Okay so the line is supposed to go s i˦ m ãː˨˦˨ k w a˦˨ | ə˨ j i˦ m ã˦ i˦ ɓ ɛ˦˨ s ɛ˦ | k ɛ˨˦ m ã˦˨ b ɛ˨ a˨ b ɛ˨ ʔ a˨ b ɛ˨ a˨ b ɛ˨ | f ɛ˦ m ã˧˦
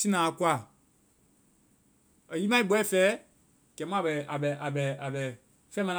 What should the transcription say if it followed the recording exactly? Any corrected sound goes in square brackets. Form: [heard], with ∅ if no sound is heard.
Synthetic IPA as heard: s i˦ [n] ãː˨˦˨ k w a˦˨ | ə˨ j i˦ m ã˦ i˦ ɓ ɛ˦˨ [f] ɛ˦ | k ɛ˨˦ m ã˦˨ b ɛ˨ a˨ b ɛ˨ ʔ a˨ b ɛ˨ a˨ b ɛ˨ | f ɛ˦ m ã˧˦